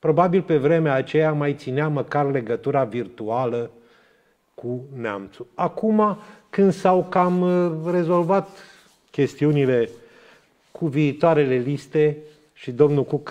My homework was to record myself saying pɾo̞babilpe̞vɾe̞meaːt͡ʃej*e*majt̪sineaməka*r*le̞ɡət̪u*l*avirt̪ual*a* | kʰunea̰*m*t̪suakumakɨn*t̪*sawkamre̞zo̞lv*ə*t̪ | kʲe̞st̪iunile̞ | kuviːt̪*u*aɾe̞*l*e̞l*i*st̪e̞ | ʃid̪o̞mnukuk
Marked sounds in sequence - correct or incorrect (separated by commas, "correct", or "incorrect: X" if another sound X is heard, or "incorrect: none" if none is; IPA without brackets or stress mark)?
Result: incorrect: a, correct, incorrect: ɾ, incorrect: ə, correct, incorrect: d̪, incorrect: a, incorrect: o, correct, correct